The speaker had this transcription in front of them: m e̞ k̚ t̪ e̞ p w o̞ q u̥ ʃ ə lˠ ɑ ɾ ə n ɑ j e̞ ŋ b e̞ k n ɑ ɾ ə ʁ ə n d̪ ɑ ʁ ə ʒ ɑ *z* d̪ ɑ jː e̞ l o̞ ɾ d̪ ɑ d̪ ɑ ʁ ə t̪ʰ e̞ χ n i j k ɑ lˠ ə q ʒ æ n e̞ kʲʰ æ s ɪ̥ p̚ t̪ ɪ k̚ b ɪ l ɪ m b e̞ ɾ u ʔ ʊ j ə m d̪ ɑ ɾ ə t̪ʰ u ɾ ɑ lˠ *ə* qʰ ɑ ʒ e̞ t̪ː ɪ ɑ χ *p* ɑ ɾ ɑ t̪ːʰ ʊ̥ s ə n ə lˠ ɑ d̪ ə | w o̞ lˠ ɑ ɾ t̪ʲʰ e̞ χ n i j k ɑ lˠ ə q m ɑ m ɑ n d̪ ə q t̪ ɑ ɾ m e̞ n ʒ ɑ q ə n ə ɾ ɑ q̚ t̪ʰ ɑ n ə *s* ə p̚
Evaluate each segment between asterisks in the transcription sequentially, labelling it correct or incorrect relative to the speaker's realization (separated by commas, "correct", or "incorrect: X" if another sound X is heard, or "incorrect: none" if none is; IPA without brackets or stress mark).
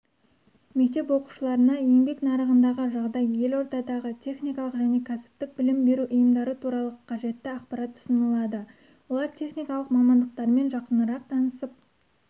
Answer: incorrect: ʁ, correct, correct, correct